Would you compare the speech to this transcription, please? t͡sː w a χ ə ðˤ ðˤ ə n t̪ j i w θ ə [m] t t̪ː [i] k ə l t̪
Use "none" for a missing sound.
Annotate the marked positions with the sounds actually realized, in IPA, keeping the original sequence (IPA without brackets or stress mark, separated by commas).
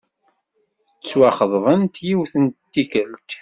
n, i